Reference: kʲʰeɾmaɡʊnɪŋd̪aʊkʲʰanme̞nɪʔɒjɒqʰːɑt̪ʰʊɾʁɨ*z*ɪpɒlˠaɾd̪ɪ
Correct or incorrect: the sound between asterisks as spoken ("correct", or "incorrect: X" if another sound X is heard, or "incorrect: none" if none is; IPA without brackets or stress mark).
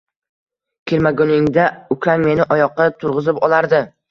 correct